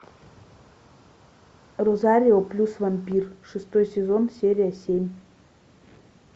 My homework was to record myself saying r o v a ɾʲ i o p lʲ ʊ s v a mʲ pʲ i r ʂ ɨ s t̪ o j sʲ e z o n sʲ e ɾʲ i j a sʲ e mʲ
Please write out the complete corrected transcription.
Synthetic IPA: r o z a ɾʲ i o p lʲ u s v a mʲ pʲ i r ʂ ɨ s t̪ o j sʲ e z o n sʲ e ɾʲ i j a sʲ e mʲ